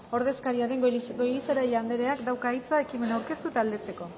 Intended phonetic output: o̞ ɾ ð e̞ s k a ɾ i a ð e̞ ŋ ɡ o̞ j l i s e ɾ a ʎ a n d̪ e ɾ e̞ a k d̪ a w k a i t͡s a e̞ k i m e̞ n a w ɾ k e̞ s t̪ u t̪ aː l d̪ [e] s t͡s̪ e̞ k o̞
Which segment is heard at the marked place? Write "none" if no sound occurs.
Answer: e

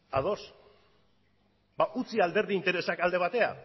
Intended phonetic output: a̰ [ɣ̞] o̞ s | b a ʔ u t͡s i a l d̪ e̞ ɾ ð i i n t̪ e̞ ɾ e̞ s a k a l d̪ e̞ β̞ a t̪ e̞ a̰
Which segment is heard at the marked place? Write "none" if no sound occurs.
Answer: ð̞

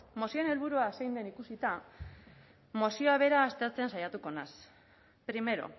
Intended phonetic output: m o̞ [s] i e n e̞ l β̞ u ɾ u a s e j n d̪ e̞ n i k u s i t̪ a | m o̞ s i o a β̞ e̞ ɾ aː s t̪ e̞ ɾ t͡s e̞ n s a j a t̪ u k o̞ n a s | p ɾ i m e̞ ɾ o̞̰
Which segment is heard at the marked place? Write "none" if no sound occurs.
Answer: s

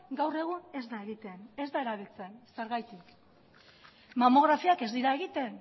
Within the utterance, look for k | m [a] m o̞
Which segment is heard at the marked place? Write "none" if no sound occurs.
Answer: a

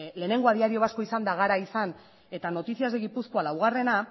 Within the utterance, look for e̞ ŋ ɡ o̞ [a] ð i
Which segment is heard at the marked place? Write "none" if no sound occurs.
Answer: a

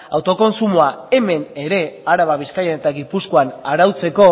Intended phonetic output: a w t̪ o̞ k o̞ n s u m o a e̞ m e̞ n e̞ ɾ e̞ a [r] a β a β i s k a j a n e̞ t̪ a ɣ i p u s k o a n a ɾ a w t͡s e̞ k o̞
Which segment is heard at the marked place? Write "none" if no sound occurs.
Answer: ɾ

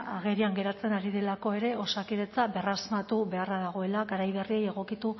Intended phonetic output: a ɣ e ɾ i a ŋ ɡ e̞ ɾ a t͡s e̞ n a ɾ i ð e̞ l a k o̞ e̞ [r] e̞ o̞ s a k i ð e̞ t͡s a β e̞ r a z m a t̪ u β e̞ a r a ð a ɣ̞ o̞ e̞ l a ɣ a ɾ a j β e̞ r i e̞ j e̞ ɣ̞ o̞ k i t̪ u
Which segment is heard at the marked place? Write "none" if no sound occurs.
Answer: ɾ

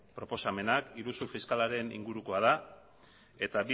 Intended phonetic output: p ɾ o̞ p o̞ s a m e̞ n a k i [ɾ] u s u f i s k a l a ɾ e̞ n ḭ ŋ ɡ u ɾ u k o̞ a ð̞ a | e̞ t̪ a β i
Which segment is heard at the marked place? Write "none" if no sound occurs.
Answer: ɾ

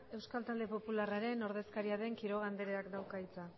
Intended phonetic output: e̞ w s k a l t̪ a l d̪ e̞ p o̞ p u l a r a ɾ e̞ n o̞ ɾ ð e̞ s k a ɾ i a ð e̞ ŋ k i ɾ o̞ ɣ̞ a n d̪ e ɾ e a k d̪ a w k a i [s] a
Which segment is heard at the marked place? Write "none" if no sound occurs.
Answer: t͡s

